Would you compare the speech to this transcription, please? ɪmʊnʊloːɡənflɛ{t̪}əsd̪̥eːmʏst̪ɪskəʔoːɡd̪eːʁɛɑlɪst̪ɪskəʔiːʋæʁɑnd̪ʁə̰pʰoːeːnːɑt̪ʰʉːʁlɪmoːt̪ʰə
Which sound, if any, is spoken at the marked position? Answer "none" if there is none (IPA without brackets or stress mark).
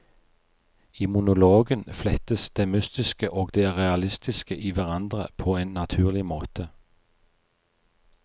t̪